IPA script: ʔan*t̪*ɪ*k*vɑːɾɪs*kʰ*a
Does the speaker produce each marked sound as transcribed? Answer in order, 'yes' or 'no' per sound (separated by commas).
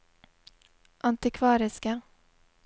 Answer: yes, no, no